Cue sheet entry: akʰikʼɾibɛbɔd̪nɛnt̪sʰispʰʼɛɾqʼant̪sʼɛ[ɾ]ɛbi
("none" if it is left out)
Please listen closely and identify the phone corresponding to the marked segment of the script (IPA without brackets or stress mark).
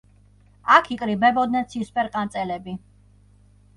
l